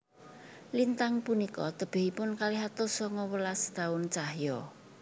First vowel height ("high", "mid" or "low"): high